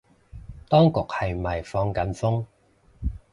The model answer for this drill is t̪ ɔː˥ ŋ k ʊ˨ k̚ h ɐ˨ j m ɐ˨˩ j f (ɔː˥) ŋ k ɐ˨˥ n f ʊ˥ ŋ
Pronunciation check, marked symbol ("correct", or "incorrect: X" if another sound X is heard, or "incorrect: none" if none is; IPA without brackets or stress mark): incorrect: ɔː˧